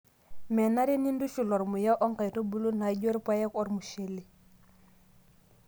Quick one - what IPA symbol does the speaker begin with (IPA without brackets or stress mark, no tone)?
m